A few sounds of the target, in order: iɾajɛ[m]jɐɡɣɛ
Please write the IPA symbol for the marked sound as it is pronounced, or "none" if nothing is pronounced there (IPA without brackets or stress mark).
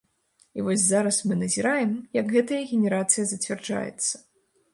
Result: m